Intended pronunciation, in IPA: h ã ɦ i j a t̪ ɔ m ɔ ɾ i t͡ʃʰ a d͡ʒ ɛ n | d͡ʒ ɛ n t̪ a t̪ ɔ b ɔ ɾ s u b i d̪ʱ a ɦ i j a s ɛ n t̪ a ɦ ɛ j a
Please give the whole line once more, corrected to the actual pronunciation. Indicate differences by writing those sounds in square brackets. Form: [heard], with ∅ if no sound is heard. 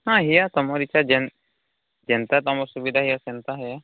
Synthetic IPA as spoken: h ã ɦ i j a t̪ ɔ m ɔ ɾ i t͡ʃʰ a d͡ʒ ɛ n | d͡ʒ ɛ n t̪ a t̪ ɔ [m] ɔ ɾ s u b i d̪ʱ a ɦ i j a s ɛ n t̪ a ɦ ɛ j a